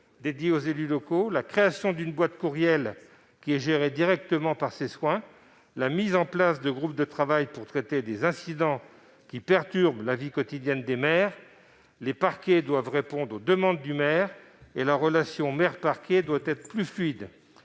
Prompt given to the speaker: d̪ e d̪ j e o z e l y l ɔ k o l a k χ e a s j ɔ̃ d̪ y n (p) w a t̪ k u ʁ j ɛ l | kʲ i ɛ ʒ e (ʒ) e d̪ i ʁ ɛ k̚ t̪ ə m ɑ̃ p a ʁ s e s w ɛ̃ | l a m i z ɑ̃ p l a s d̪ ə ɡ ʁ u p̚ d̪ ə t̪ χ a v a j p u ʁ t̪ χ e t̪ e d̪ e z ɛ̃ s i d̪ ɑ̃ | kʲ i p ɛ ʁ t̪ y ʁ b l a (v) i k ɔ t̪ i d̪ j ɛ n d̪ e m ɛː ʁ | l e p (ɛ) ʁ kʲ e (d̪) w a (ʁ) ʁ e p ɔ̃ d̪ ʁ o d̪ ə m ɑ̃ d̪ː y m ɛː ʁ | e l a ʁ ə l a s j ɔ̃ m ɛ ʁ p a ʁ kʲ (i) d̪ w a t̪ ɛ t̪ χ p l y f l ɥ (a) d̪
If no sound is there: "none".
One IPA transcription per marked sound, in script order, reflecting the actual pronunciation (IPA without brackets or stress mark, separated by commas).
b, ʁ, v, a, d̪, v, e, i